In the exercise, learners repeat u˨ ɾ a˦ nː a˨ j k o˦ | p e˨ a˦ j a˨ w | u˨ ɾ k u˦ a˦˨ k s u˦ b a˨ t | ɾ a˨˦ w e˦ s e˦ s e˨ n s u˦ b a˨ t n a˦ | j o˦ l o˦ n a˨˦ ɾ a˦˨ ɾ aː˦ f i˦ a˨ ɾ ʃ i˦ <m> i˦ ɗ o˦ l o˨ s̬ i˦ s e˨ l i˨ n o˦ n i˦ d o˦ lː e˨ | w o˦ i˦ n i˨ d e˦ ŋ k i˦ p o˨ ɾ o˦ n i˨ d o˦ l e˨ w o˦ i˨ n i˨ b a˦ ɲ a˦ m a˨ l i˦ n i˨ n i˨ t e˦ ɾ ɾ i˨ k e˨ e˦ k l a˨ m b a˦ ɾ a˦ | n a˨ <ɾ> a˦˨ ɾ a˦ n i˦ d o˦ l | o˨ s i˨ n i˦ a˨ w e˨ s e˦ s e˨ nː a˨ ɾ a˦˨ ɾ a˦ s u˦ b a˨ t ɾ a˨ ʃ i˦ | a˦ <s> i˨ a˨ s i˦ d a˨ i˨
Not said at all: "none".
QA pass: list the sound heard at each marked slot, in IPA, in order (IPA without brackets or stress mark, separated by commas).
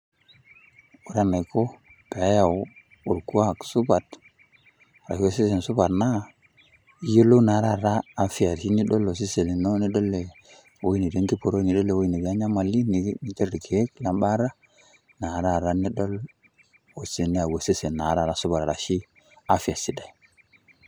n, ɾ, f